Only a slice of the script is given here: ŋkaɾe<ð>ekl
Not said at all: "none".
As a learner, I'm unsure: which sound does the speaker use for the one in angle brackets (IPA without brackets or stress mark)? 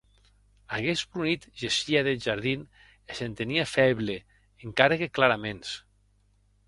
ɣ